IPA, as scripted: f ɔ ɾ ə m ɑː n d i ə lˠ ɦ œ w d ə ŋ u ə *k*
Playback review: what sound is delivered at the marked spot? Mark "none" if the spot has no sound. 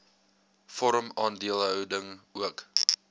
k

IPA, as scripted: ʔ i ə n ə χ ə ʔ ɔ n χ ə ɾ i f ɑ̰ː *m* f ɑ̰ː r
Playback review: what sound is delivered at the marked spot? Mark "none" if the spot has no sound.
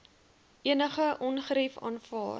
n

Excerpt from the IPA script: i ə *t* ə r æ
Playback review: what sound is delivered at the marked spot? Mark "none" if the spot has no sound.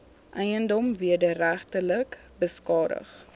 d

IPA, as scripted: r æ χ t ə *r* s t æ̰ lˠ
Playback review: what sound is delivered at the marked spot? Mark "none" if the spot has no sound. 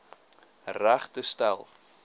none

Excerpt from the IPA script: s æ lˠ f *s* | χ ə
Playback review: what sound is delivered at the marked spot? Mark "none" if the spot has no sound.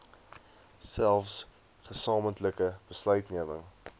s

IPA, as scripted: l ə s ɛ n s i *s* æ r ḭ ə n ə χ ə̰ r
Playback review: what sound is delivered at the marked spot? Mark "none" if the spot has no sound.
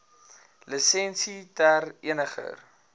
t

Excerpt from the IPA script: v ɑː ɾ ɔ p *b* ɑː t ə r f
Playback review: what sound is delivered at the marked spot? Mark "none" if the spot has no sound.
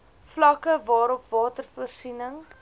v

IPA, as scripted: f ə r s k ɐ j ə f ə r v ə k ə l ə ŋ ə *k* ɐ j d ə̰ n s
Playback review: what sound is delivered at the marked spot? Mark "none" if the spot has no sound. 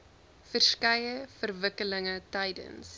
t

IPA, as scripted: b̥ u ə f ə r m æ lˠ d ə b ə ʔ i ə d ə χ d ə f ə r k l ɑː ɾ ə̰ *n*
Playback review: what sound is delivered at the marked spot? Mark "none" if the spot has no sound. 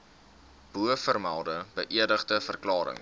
ŋ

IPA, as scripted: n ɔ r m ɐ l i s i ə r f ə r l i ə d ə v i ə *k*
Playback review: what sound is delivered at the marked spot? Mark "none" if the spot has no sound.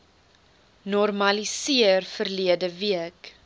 k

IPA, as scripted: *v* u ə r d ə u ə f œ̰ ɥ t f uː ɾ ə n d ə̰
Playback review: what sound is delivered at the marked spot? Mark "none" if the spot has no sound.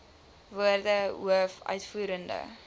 v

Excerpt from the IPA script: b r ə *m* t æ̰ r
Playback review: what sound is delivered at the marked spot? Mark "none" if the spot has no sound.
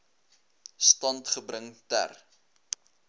ŋ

